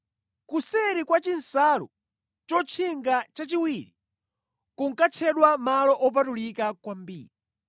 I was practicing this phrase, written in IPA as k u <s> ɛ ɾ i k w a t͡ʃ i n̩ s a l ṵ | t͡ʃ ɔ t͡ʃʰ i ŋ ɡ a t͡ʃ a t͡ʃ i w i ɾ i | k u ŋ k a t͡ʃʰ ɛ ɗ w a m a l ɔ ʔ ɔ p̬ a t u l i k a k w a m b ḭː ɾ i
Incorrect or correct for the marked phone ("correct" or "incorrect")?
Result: correct